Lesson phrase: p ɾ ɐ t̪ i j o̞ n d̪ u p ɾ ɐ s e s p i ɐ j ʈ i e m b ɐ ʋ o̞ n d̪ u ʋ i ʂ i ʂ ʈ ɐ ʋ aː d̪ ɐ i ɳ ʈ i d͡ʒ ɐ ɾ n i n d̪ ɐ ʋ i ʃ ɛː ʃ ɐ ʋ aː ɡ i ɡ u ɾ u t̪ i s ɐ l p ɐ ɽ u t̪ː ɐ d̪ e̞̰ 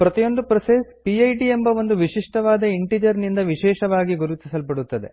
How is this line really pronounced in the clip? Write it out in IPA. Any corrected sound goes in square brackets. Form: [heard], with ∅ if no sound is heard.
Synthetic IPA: p ɾ ɐ t̪ i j o̞ n d̪ u p ɾ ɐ s e s p i ɐ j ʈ i e m b ɐ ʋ o̞ n d̪ u ʋ i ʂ i ʂ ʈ ɐ ʋ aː d̪ ɐ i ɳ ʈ i d͡ʒ ɐ ɾ n i n d̪ ɐ ʋ i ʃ ɛː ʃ ɐ ʋ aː ɡ i ɡ u ɾ u t̪ i s ɐ l p ɐ ɽ u t̪ː ɐ d̪ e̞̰